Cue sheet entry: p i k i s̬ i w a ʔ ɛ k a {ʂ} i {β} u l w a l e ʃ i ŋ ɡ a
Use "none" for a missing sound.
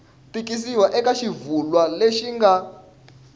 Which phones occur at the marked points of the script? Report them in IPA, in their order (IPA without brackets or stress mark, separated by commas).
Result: ʃ, v